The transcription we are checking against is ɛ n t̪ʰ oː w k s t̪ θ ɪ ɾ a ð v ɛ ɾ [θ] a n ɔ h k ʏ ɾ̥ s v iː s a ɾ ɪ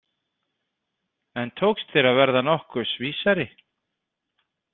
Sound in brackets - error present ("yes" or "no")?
yes